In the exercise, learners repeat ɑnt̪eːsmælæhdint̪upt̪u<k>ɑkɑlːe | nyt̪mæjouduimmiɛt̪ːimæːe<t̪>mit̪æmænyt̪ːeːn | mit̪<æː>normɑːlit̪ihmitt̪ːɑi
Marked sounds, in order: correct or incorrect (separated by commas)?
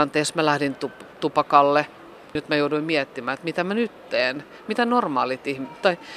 incorrect, correct, incorrect